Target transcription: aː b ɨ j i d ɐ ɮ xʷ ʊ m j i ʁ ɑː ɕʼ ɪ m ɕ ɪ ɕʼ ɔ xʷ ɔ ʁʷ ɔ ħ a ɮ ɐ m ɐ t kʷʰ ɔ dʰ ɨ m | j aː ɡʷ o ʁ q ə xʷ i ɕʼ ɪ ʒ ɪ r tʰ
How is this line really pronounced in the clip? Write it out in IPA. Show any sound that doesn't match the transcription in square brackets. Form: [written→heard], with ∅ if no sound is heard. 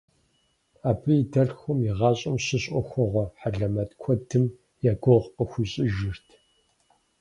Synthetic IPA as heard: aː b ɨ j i d ɐ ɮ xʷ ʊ m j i ʁ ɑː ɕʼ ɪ m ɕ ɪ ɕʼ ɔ xʷ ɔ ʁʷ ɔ ħ a ɮ ɐ m ɐ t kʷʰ ɔ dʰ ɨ m | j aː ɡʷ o ʁ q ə xʷ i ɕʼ ɪ ʒ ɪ r tʰ